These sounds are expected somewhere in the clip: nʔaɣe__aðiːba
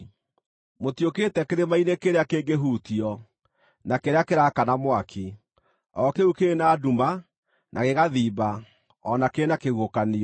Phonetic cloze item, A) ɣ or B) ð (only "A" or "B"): A